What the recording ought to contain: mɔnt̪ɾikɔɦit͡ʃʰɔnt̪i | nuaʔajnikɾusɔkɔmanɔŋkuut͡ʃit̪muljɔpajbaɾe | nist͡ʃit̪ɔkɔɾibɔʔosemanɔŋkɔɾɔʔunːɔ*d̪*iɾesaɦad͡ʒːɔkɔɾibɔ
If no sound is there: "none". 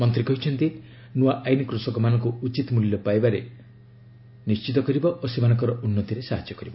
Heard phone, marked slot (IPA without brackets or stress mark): t̪